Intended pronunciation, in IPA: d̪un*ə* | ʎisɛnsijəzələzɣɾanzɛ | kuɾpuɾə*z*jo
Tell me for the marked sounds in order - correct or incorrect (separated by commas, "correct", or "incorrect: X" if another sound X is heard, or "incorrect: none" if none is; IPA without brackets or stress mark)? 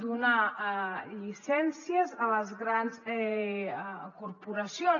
incorrect: a, incorrect: s